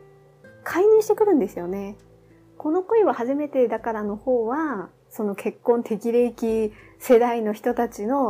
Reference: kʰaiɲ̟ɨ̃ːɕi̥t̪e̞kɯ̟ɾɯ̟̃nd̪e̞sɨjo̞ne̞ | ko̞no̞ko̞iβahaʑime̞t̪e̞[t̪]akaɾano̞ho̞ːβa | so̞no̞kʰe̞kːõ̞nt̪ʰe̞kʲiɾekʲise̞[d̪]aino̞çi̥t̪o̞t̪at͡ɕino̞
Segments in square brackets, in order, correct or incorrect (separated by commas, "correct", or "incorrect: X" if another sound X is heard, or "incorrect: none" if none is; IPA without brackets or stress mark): incorrect: d̪, correct